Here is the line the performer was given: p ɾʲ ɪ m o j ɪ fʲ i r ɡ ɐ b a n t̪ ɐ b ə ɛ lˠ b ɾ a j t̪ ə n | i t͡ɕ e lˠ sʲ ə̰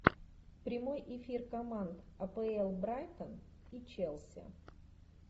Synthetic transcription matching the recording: p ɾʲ ɪ m o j ɪ fʲ i r k ɐ m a n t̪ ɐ p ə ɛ lˠ b ɾ a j t̪ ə n | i t͡ɕ e lˠ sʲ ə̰